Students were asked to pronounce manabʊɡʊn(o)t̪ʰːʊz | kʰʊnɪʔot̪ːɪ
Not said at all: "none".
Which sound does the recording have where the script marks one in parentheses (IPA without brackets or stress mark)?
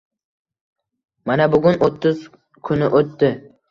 o